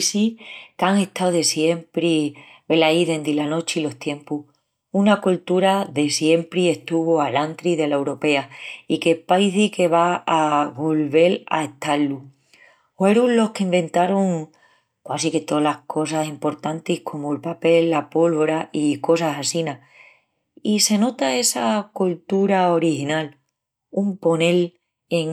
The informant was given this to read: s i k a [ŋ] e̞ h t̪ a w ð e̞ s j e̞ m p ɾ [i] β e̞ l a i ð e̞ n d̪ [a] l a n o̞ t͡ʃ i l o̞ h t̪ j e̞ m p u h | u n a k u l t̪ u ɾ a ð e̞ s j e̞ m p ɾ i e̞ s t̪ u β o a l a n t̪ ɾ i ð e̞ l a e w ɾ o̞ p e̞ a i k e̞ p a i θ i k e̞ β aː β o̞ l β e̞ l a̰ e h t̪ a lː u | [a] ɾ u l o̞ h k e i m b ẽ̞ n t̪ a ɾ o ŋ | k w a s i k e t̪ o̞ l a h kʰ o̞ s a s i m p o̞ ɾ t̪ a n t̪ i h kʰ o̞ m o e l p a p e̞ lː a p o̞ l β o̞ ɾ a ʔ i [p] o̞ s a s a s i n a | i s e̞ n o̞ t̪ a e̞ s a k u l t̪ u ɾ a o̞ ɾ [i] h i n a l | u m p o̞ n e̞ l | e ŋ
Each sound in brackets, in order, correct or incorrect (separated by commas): correct, correct, incorrect, incorrect, incorrect, correct